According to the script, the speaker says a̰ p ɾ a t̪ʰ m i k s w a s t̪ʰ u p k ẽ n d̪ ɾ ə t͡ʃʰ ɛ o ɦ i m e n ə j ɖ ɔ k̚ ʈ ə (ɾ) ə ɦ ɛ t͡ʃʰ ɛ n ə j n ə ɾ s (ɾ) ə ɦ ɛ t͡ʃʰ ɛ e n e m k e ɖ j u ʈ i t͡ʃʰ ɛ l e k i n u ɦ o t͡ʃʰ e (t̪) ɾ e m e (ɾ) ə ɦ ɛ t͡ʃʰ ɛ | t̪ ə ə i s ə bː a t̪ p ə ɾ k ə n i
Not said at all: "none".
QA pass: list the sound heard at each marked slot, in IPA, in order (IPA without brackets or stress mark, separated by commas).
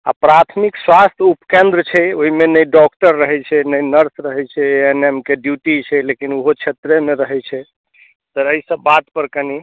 ɾː, ɾ, t̪, ɾ